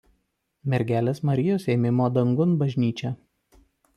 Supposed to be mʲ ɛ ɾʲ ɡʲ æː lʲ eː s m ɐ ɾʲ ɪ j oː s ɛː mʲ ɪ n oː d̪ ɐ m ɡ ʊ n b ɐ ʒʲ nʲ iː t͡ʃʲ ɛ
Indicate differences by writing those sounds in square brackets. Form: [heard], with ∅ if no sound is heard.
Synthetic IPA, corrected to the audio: mʲ ɛ ɾʲ ɡʲ æː lʲ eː s m ɐ ɾʲ ɪ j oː s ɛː mʲ ɪ [m] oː d̪ ɐ [ŋ] ɡ ʊ n b ɐ ʒʲ nʲ iː t͡ʃʲ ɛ